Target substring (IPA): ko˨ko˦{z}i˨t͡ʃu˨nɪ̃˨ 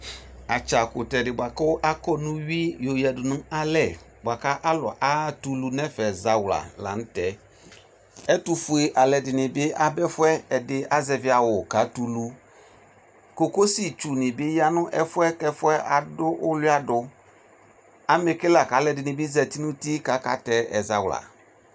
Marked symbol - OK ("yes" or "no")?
no